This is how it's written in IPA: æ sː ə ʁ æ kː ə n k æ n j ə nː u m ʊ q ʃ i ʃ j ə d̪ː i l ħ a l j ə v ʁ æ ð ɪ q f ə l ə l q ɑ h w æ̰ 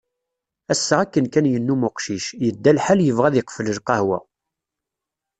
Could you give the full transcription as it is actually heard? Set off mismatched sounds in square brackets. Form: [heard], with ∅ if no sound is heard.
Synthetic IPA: æ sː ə ʁ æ kː ə n k æ n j ə nː u m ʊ q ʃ i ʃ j ə d̪ː [æ] l ħ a l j ə v ʁ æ ð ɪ q f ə l ə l q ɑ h w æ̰